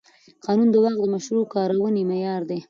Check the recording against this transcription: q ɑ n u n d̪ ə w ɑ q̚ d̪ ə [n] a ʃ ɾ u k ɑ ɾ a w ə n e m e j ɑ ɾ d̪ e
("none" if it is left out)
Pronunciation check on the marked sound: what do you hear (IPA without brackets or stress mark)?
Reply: m